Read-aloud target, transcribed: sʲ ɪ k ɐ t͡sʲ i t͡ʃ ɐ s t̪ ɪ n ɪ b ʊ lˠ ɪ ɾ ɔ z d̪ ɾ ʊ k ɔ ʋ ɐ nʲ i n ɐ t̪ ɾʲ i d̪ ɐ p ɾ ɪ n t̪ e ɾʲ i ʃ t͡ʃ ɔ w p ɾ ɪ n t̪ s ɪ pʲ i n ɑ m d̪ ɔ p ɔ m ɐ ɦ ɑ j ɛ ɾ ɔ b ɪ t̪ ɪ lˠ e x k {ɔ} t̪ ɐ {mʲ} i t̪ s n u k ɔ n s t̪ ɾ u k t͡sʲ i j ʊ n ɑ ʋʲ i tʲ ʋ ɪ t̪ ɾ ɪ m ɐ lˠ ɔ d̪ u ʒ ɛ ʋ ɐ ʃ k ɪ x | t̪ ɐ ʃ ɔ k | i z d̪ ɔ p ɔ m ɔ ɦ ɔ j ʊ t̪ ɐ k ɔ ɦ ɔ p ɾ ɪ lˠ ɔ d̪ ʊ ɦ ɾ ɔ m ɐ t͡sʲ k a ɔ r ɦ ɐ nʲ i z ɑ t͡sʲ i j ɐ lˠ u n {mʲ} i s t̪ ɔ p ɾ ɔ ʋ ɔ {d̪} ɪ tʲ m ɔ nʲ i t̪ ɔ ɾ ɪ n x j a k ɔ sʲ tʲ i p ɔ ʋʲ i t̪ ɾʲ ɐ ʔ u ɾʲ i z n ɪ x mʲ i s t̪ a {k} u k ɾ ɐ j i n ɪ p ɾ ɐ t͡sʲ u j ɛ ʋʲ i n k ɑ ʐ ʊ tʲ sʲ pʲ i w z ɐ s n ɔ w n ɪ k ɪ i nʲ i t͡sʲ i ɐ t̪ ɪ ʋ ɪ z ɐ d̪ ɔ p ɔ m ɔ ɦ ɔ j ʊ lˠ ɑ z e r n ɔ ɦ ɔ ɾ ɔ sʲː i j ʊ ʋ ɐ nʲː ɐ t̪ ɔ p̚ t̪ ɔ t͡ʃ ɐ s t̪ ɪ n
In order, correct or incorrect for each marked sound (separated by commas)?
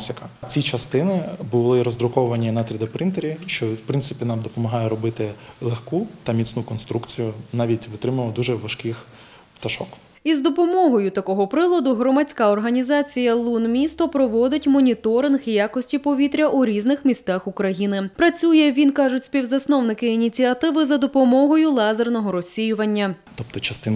incorrect, correct, correct, correct, incorrect